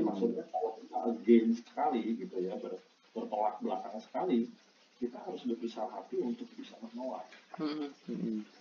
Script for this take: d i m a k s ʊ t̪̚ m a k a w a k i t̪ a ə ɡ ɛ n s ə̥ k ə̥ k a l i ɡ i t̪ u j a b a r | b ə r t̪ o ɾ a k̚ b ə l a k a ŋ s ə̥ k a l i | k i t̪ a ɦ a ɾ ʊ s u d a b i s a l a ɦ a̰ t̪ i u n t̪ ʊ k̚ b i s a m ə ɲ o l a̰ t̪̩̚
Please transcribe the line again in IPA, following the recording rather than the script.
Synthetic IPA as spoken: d i m a k s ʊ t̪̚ ɲ a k a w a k i t̪ a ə ɡ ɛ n s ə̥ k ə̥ k a l i ɡ i t̪ u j a b ə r | b ə r t̪ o l a k̚ b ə l a k a ŋ s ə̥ k a l i | k i t̪ a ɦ a ɾ ʊ s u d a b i s a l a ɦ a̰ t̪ i u n t̪ ʊ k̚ b i s a m ə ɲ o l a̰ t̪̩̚